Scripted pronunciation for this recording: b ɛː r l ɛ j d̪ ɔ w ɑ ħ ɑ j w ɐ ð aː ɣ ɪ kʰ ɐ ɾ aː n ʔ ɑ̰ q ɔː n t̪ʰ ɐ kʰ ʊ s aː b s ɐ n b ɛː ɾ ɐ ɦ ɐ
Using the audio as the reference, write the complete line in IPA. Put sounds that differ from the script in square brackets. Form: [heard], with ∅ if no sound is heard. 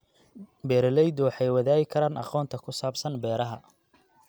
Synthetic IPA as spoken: b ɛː [ɾ] l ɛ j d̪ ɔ w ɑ ħ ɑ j w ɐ ð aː ɣ ɪ kʰ ɐ ɾ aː n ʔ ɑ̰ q ɔː n t̪ʰ ɐ kʰ ʊ s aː b s ɐ n b ɛː ɾ ɐ ɦ ɐ